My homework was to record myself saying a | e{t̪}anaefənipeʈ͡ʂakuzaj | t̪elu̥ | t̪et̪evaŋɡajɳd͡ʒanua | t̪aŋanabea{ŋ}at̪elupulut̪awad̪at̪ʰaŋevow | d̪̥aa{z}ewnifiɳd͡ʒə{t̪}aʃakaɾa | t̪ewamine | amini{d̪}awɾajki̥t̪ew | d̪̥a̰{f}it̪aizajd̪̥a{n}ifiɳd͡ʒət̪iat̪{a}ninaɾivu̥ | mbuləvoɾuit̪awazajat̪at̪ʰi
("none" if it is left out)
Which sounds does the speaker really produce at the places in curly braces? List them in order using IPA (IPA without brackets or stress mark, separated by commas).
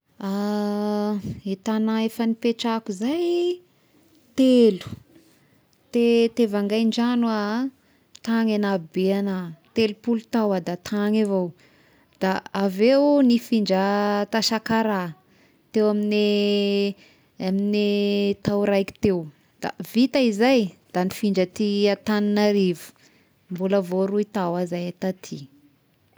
t̪, n, v, t̪, t̪, v, n, a